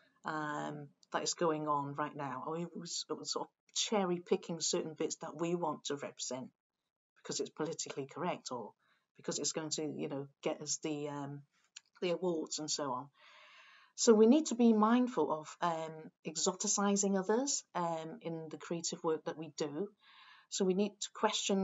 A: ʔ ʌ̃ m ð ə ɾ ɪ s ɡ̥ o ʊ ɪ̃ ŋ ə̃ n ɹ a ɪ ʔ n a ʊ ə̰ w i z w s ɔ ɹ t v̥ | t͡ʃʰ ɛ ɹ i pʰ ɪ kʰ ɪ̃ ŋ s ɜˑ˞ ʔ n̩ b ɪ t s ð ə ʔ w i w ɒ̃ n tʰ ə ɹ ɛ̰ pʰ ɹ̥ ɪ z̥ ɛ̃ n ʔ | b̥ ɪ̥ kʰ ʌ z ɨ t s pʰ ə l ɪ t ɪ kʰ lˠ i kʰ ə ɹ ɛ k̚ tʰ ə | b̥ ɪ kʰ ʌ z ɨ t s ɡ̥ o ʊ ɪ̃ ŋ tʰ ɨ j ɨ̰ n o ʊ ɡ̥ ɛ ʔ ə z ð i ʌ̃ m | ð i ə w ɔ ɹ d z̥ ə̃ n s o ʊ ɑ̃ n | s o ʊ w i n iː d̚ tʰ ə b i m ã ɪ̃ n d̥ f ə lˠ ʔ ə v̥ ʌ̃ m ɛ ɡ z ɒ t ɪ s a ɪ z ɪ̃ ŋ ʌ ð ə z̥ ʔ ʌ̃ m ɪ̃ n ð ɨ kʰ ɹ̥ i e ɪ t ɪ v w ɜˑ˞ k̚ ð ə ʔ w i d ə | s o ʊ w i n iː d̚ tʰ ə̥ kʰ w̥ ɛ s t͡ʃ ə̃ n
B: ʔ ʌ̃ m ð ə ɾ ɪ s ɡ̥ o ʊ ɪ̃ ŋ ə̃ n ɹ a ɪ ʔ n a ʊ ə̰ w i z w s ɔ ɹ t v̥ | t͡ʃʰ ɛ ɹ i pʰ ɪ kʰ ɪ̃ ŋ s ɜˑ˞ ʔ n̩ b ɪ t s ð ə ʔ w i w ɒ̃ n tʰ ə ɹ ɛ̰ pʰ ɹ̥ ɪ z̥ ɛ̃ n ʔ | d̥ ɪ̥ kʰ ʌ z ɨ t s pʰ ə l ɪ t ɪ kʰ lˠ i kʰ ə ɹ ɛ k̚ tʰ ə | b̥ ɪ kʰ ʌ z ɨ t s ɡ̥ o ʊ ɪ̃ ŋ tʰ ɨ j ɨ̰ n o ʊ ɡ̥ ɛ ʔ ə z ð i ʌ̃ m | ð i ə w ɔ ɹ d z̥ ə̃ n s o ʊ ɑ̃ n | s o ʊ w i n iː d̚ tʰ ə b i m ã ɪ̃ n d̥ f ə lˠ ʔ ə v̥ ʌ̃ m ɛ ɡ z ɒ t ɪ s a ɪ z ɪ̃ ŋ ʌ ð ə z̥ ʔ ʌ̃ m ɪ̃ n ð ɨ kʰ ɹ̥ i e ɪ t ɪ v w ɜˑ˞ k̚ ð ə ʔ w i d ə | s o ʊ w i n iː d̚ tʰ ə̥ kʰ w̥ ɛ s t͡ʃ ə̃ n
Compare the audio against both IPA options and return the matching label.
A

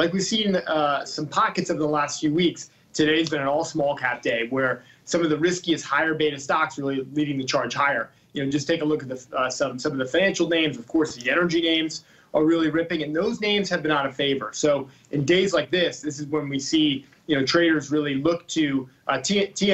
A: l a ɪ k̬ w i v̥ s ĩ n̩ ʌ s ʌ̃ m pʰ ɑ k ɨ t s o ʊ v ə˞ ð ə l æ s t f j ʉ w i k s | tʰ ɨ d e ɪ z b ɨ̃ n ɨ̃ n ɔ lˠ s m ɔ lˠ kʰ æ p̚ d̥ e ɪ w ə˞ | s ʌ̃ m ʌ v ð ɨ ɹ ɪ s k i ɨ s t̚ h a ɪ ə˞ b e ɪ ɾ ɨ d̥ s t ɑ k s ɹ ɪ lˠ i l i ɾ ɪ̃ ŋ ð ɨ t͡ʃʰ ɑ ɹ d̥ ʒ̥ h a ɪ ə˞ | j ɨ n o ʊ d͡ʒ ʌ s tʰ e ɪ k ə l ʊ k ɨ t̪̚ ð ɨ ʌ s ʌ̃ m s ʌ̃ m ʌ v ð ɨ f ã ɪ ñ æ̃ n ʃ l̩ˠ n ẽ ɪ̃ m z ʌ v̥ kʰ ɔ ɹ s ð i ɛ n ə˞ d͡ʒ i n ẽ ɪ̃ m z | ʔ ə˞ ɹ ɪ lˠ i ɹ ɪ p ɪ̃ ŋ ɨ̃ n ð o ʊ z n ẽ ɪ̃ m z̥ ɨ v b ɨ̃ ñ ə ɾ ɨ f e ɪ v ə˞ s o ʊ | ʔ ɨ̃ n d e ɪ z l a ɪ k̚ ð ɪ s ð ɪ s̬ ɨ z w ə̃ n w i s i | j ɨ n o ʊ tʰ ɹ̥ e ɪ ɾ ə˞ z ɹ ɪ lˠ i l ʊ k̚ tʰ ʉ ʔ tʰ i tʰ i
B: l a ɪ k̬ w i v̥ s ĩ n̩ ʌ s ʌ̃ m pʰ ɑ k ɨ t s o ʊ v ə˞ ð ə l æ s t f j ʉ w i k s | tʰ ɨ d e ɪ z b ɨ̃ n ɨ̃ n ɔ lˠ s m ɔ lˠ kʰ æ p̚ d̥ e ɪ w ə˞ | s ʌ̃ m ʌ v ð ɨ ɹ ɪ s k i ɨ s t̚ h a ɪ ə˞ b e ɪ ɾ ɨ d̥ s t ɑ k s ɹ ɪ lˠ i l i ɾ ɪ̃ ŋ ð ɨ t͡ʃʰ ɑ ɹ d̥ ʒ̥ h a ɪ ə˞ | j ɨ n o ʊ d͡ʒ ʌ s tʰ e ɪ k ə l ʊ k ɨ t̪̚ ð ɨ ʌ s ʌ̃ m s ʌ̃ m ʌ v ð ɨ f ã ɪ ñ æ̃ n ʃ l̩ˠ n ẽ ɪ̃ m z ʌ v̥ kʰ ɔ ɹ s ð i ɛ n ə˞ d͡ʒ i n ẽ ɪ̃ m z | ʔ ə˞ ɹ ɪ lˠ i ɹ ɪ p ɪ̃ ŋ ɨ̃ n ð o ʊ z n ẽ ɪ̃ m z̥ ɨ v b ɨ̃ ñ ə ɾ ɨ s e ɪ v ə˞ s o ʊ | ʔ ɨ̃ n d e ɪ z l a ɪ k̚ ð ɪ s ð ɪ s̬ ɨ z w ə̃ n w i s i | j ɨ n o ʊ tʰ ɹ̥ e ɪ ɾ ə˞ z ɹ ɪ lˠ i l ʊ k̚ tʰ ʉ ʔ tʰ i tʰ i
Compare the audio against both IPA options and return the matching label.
A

